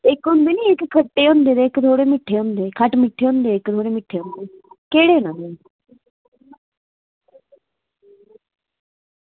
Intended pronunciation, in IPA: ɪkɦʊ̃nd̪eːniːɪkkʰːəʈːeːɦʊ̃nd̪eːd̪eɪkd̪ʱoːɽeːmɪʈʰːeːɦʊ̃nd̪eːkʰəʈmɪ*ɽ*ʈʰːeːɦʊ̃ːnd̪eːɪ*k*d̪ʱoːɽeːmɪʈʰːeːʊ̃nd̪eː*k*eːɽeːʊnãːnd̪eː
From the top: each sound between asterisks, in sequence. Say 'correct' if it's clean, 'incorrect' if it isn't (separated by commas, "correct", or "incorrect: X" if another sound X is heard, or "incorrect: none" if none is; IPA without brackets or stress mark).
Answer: incorrect: none, correct, correct